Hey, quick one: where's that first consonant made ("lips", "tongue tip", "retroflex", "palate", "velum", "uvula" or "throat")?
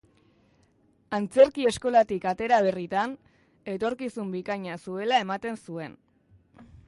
tongue tip